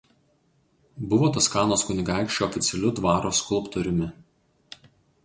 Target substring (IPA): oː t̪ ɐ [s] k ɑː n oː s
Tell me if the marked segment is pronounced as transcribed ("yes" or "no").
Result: yes